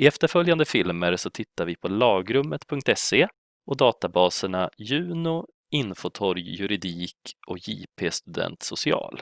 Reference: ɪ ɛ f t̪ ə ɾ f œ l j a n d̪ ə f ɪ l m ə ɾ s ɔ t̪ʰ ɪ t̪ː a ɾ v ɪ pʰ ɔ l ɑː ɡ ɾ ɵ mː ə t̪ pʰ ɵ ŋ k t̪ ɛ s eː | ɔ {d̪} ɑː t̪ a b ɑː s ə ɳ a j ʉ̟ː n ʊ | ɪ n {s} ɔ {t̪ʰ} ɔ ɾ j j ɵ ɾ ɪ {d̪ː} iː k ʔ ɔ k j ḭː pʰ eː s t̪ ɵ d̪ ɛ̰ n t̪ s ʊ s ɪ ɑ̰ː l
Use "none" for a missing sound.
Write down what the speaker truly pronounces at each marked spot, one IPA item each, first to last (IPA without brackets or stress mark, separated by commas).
d̪, f, t̪ʰ, d̪